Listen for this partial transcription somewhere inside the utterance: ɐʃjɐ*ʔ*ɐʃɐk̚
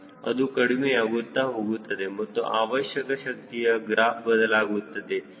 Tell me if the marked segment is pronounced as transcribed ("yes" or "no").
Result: no